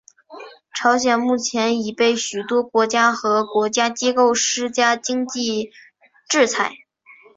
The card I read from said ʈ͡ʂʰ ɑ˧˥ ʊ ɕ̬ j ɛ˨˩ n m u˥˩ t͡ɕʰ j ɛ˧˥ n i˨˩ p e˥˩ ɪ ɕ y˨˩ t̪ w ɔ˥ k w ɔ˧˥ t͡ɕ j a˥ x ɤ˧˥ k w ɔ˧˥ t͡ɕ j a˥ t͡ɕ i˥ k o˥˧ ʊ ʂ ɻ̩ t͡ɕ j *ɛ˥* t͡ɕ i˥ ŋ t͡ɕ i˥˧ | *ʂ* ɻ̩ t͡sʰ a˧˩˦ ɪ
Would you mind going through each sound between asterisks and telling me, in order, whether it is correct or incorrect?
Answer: incorrect: a˥, incorrect: ʈ͡ʂ

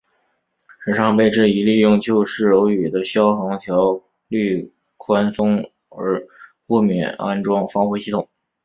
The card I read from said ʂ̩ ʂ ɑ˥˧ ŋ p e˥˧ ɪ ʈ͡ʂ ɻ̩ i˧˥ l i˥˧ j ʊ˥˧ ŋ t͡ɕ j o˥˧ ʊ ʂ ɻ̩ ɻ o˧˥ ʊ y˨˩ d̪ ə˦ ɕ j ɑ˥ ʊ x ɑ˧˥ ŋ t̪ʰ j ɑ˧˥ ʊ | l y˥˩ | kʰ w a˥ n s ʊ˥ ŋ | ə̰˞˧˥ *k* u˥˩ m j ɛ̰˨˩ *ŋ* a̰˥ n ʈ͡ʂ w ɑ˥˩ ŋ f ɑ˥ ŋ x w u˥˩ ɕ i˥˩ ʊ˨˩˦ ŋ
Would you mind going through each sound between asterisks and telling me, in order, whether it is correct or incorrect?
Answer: correct, incorrect: n

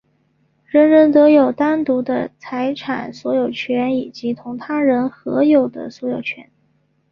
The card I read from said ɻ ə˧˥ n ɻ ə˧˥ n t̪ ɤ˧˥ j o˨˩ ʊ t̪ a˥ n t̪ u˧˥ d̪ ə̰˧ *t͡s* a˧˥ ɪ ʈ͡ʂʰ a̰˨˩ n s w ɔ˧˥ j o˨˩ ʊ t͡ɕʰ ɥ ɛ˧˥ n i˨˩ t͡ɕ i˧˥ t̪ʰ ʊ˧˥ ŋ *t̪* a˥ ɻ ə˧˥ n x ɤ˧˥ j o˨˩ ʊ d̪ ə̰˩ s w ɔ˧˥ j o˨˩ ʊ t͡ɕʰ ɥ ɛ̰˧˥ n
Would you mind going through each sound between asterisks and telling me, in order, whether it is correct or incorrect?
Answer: incorrect: t͡sʰ, incorrect: t̪ʰ

